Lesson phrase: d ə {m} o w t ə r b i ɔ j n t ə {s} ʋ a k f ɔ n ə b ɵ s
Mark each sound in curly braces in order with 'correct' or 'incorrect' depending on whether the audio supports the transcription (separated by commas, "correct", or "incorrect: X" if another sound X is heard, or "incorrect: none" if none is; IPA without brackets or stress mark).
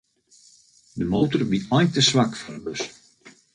correct, correct